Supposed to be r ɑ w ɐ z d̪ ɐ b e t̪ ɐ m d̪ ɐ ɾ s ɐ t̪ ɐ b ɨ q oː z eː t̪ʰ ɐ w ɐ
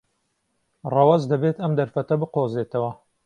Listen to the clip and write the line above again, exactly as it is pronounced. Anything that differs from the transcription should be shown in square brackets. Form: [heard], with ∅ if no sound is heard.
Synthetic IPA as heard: r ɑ w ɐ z d̪ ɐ b e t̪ ɐ m d̪ ɐ ɾ [f] ɐ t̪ ɐ b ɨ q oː z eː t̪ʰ ɐ w ɐ